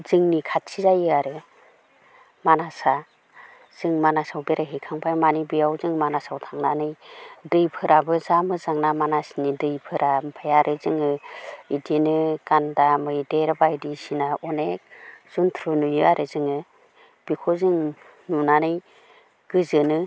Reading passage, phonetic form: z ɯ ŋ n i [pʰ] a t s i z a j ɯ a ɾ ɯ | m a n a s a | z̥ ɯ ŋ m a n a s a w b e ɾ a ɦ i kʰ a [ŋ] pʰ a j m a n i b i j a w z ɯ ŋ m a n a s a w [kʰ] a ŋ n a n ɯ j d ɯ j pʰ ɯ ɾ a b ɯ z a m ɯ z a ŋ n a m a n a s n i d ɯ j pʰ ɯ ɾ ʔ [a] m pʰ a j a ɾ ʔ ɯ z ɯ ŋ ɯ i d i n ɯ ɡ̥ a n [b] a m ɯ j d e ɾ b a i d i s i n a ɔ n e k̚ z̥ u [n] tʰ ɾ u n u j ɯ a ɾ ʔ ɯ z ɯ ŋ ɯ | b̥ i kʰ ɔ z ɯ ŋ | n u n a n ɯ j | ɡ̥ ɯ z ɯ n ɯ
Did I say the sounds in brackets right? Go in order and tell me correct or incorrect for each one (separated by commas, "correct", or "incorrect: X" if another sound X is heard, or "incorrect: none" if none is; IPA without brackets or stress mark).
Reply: incorrect: kʰ, correct, incorrect: tʰ, correct, incorrect: d, correct